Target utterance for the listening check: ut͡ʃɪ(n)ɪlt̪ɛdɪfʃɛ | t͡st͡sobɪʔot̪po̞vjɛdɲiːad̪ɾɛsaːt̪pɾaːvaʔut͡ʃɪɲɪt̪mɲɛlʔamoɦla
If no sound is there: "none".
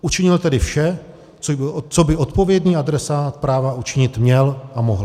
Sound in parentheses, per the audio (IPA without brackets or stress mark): ɲ